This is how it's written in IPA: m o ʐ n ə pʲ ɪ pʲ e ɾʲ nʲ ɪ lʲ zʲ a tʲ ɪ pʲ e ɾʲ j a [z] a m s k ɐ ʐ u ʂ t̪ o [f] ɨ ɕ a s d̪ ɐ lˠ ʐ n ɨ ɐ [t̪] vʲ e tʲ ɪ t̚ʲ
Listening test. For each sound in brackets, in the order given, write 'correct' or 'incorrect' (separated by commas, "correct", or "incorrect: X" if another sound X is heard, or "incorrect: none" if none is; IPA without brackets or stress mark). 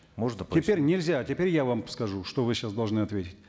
incorrect: v, incorrect: v, correct